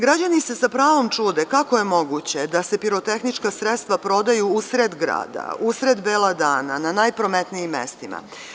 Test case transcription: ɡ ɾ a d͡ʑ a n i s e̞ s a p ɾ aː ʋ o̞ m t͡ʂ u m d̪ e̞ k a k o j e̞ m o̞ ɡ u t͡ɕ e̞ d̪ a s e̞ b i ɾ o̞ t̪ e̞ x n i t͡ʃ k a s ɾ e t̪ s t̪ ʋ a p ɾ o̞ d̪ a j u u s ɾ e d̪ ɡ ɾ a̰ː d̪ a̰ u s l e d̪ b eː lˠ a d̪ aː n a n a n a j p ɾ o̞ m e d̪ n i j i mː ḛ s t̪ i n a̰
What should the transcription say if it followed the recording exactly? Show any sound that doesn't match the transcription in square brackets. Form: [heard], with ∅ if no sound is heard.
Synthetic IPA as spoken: ɡ ɾ a d͡ʑ a n i s e̞ s a p ɾ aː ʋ o̞ m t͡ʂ u [∅] d̪ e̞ k a k o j e̞ m o̞ ɡ u t͡ɕ e̞ d̪ a s e̞ [p] i ɾ o̞ t̪ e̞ x n i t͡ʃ k a s ɾ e t̪ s t̪ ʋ a p ɾ o̞ d̪ a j u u s ɾ e d̪ ɡ ɾ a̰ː d̪ a̰ u s [ɾ] e d̪ b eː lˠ a d̪ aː n a n a n a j p ɾ o̞ m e [t̪] n i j i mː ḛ s t̪ i [m] a̰